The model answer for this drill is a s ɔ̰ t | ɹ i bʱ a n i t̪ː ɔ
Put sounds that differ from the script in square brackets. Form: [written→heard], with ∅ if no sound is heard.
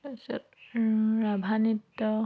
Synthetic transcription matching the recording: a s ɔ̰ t | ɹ [i→a] bʱ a n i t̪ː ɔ